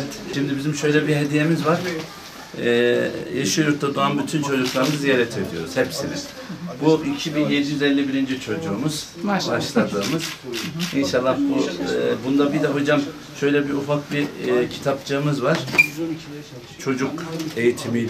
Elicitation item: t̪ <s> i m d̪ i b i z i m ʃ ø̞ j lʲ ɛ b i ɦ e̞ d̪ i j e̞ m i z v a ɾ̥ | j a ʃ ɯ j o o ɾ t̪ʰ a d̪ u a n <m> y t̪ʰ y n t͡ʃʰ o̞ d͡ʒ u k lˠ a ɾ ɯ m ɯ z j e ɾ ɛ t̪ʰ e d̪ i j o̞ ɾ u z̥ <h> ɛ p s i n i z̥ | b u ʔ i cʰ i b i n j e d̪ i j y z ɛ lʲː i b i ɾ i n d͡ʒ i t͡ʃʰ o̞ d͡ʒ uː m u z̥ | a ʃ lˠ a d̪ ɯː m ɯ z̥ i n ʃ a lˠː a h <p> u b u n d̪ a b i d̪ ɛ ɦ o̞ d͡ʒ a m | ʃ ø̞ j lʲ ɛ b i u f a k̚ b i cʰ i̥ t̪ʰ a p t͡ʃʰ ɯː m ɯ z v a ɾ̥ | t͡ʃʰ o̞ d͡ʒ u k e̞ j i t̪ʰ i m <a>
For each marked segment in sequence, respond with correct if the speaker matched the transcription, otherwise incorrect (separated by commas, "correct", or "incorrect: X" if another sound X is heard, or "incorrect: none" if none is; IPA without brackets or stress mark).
incorrect: ʃ, incorrect: b, correct, incorrect: b, incorrect: i